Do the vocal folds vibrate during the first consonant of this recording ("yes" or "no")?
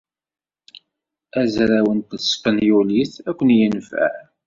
yes